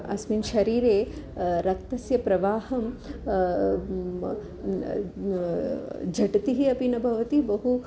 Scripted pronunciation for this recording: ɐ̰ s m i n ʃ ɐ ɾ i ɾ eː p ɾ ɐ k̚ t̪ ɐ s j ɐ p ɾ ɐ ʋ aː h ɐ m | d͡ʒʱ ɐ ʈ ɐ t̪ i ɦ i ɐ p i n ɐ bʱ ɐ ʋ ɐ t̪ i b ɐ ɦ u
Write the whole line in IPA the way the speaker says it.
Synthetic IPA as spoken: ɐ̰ s m i n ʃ ɐ ɾ iː ɾ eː ɾ ɐ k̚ t̪ ɐ s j ɐ p ɾ ɐ ʋ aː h ɐ m | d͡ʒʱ ɐ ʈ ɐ t̪ i ɦ i ɐ p i n ɐ bʱ ɐ ʋ ɐ t̪ i b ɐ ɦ u